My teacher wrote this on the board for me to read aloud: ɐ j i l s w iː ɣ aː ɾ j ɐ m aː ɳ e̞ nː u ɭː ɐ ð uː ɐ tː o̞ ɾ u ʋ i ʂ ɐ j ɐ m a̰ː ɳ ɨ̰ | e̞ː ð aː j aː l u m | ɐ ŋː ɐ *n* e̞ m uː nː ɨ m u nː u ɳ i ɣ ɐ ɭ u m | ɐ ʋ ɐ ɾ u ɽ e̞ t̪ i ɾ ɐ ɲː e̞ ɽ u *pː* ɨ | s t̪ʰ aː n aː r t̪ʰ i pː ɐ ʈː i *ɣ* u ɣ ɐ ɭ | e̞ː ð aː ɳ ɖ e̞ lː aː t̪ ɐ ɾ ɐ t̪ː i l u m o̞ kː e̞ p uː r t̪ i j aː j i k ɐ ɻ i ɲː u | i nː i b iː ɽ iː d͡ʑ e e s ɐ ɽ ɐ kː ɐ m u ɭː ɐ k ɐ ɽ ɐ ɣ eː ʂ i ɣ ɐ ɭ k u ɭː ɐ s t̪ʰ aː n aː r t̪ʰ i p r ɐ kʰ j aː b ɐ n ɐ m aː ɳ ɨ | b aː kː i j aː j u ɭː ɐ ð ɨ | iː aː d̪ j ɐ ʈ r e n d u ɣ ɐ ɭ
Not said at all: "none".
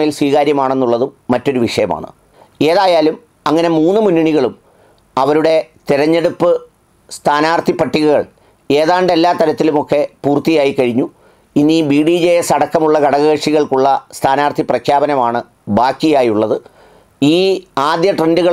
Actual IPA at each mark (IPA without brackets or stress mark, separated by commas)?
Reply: n, pː, ɣ